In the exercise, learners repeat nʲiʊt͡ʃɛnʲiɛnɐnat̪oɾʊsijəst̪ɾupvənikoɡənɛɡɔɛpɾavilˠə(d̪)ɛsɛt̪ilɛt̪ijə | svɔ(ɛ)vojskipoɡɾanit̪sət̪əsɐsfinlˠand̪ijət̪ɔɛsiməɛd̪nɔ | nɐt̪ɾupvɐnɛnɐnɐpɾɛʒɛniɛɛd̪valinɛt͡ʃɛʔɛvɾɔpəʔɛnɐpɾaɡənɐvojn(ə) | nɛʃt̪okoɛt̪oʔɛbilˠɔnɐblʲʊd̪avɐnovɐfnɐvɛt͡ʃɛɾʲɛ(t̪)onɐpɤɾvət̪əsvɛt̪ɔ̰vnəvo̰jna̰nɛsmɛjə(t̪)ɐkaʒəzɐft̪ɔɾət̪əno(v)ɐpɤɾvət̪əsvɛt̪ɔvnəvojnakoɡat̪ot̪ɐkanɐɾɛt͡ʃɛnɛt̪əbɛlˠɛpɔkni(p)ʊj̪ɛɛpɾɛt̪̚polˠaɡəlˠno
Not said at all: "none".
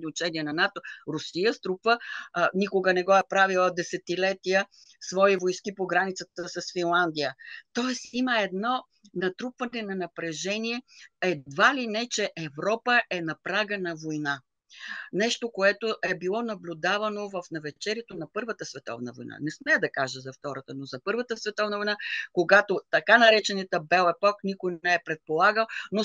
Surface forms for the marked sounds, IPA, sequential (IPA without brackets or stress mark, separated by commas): d̪, i, a, t̪, d̪, z, k